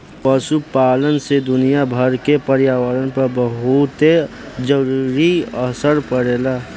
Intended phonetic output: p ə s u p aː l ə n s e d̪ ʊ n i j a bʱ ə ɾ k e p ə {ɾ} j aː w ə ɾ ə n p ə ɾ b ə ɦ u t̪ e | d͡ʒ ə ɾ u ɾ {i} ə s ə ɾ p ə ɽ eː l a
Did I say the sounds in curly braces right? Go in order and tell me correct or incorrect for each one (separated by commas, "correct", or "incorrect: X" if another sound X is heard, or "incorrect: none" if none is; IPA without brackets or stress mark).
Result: correct, correct